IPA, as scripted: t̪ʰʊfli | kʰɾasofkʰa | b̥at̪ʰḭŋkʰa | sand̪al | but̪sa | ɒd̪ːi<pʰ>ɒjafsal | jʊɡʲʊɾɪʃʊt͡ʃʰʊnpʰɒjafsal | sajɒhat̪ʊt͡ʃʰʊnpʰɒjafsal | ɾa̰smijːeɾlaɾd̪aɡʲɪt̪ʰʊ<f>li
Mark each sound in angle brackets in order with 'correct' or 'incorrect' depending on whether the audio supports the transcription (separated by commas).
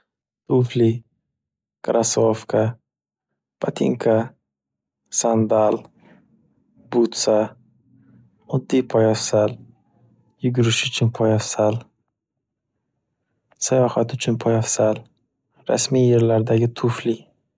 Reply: correct, correct